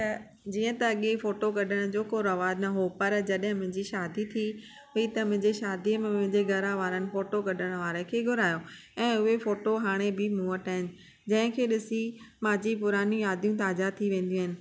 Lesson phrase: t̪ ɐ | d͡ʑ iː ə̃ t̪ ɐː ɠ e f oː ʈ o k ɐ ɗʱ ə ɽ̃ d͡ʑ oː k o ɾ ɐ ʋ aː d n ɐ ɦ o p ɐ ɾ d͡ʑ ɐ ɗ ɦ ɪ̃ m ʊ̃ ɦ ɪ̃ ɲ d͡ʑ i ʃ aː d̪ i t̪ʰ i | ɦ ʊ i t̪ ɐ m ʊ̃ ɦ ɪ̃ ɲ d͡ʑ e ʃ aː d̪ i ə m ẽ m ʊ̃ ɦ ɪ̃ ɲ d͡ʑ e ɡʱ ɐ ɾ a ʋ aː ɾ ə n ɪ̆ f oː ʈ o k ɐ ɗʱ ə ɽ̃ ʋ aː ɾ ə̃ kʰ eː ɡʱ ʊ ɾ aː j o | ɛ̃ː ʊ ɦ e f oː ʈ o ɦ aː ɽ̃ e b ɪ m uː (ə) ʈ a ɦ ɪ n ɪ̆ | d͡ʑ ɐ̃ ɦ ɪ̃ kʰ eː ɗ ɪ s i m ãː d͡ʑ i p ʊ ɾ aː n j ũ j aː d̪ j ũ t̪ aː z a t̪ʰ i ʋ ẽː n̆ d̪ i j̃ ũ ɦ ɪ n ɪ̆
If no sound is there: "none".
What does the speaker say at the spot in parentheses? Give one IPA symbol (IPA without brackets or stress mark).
ə